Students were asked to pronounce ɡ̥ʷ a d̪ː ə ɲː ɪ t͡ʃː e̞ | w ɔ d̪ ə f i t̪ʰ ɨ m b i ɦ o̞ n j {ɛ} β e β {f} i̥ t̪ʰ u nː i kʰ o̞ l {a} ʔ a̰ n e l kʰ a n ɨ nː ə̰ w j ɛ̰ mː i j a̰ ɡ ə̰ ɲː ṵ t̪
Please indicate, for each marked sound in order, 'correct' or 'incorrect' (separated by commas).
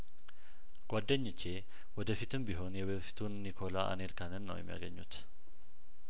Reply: correct, correct, correct